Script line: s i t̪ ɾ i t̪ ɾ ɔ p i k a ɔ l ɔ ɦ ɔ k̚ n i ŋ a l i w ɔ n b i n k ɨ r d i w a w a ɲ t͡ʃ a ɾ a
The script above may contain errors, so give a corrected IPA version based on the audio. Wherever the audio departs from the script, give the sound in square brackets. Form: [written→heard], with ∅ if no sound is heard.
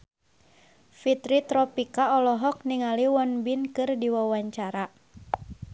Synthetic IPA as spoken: [s→f] i t̪ ɾ i t̪ ɾ ɔ p i k a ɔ l ɔ ɦ ɔ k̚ n i ŋ a l i w ɔ n b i n k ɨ r d i w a w a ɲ t͡ʃ a ɾ a